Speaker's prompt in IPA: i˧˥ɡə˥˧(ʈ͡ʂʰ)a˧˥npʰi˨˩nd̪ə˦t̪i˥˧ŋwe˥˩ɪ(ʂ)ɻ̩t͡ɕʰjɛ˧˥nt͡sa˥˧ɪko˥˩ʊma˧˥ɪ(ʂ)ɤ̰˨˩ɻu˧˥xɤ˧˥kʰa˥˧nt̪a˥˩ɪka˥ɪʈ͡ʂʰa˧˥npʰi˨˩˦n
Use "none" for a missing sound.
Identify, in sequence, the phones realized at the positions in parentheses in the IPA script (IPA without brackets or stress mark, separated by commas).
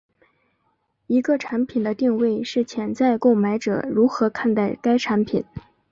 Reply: ʈ͡ʂʰ, ʂ, ʈ͡ʂ